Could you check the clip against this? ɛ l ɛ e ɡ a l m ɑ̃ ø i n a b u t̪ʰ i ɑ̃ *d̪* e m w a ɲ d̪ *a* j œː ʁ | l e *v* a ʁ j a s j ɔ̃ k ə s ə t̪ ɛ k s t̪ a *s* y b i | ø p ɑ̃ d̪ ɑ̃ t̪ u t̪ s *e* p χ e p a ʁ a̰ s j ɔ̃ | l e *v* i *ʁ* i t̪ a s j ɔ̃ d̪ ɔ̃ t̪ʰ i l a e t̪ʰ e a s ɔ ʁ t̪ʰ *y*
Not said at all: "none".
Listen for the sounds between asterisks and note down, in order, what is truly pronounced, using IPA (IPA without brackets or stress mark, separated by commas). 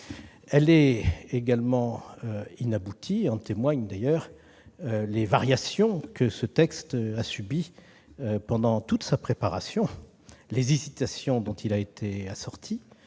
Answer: t̪, a, v, s, a, z, z, i